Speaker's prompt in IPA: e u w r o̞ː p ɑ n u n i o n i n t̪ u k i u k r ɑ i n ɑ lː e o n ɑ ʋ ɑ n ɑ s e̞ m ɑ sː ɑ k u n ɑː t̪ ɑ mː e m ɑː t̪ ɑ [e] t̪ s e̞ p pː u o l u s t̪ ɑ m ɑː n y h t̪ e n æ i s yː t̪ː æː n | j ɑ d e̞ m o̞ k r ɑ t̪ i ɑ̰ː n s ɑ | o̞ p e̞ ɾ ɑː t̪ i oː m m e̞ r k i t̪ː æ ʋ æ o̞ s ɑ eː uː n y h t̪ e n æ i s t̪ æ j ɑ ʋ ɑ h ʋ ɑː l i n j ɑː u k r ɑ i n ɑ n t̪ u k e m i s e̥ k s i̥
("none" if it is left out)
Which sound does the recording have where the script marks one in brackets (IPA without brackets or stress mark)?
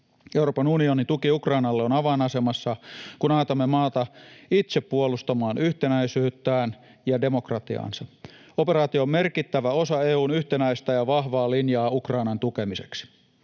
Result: i